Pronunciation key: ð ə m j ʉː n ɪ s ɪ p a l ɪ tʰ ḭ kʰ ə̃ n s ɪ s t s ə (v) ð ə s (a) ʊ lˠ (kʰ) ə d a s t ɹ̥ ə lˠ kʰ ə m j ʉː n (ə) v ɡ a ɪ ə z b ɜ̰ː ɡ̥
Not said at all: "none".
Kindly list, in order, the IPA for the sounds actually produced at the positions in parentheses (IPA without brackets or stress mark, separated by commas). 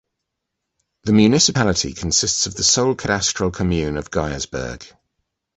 v, ə, kʰ, ə